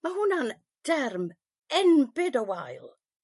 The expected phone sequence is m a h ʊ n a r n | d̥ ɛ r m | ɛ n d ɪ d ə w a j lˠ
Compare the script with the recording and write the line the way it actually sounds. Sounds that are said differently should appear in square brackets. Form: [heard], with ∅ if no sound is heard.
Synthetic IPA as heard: m a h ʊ n a [∅] n | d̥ ɛ r m | ɛ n [b] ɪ d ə w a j lˠ